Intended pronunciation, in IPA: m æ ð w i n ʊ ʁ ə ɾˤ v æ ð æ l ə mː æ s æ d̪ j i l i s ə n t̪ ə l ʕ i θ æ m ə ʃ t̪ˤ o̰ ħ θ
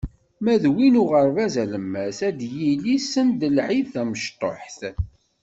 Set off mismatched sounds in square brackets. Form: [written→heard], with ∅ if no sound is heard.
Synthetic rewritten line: m æ ð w i n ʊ ʁ ə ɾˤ v æ [ð→z] æ l ə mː æ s æ d̪ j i l i s ə n [t̪→d̪] ə l ʕ i θ æ m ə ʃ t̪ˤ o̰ ħ θ